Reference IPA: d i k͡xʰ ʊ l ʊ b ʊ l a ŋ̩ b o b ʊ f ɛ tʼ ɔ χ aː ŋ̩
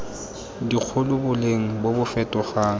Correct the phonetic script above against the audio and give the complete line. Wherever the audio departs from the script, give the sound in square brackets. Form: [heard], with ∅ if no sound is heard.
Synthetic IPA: d i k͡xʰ ʊ l ʊ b ʊ l [e] ŋ̩ b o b ʊ f ɛ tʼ ɔ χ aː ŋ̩